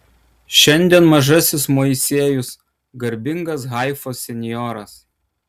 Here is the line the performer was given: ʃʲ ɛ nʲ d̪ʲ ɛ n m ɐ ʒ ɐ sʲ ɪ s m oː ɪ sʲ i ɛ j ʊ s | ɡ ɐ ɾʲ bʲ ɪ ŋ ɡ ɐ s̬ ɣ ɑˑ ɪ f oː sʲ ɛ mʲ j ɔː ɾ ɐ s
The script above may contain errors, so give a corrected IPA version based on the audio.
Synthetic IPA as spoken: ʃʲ ɛ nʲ d̪ʲ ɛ n m ɐ ʒ ɐ sʲ ɪ s m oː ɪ sʲ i ɛ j ʊ s | ɡ ɐ ɾʲ bʲ ɪ ŋ ɡ ɐ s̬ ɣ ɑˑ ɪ f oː sʲ ɛ nʲ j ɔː ɾ ɐ s